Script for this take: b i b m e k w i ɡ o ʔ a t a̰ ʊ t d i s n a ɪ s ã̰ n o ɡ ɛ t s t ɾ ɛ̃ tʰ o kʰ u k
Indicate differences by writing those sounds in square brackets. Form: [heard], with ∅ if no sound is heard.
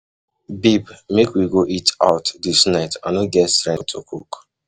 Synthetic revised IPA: b i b m e k w i ɡ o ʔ [i] t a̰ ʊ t d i s n a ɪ [t] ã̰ n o ɡ ɛ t s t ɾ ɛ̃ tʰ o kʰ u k